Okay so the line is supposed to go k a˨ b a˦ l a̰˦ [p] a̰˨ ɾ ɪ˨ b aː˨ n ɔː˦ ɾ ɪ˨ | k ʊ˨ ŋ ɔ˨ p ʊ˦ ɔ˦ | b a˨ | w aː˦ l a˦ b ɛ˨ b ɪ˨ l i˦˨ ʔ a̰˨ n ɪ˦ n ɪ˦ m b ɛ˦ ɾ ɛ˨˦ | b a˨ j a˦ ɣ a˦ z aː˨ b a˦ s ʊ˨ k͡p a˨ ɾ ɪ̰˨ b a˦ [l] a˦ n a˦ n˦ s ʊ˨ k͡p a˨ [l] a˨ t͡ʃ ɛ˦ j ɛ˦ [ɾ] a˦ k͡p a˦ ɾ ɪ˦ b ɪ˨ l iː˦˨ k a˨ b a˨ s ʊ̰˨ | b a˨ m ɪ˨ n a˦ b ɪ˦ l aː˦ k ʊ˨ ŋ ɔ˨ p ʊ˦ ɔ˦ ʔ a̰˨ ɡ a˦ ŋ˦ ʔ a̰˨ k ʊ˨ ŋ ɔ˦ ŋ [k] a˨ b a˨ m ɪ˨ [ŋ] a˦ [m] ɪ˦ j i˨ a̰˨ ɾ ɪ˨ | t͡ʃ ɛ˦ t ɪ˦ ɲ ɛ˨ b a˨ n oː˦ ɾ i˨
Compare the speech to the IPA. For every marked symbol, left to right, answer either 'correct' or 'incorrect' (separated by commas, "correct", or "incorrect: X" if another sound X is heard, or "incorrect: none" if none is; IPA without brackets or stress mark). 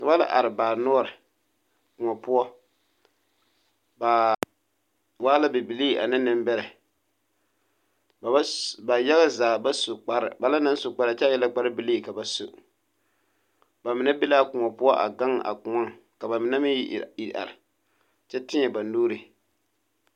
incorrect: ʔ, correct, incorrect: ɾ, incorrect: l, correct, incorrect: n, correct